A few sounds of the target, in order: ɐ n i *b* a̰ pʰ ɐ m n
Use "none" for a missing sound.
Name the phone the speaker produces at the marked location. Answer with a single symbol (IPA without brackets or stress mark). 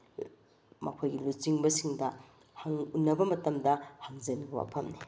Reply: w